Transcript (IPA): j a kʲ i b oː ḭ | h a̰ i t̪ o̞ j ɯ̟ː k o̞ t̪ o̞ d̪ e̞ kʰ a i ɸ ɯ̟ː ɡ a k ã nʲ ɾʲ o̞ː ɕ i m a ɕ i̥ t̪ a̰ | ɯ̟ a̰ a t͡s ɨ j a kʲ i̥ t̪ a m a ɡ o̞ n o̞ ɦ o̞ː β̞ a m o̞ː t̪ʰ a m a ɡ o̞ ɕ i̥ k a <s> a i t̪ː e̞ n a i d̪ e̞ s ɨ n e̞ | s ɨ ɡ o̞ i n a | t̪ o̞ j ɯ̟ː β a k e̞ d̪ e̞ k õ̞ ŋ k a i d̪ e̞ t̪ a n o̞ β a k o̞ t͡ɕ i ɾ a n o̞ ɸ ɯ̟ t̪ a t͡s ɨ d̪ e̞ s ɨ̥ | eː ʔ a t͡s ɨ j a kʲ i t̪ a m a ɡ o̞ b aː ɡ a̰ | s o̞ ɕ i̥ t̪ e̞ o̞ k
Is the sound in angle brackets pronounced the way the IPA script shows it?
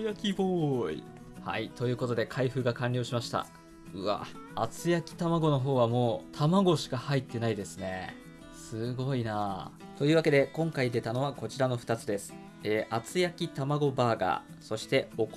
no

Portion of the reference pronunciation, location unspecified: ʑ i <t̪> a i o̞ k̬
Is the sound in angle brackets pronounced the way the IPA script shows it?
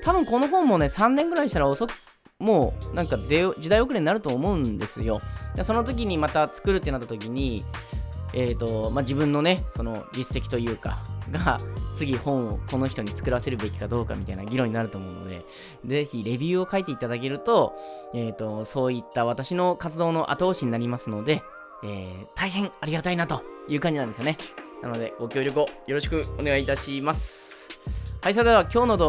no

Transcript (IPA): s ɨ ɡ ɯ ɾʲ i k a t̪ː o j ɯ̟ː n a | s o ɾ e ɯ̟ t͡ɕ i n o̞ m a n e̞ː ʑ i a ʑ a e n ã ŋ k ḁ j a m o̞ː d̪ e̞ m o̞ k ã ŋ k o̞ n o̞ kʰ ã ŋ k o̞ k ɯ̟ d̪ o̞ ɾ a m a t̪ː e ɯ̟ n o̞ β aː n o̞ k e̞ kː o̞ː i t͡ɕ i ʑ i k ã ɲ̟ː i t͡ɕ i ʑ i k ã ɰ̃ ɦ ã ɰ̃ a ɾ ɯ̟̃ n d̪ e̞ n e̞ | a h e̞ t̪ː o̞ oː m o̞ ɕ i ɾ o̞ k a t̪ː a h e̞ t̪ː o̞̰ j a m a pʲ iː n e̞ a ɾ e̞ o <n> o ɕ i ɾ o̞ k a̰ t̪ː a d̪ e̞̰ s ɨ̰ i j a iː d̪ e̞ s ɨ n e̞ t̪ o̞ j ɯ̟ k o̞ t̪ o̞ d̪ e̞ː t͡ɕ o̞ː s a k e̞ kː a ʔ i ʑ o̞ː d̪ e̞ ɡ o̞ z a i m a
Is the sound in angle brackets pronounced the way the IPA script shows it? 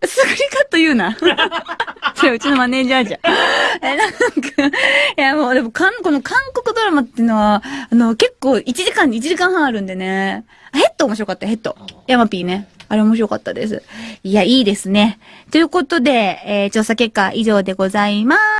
no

